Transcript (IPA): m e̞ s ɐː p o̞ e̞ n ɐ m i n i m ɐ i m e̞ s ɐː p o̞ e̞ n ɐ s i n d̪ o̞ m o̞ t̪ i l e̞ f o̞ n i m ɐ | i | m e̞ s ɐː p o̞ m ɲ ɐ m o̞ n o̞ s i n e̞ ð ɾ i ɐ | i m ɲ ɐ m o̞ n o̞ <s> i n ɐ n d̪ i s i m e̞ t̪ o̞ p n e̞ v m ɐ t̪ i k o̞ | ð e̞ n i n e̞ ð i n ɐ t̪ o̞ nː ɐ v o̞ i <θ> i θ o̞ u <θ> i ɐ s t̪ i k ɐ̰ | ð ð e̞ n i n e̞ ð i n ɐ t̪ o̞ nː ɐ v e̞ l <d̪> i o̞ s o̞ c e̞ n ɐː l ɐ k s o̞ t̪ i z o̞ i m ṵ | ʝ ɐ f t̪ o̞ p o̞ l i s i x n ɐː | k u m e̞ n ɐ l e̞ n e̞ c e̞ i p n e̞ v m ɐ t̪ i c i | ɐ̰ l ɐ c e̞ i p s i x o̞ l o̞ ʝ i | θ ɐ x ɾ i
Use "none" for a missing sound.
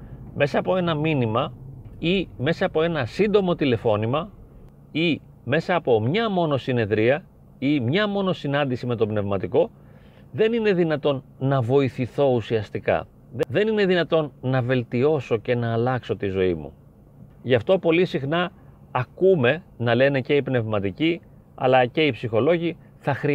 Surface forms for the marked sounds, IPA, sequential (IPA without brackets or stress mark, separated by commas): s, θ, s, t̪